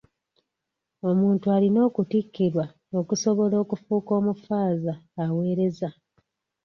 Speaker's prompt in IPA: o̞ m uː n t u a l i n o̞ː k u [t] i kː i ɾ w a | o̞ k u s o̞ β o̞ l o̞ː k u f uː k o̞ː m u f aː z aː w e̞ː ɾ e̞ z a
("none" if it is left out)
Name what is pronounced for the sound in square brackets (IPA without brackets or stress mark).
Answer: t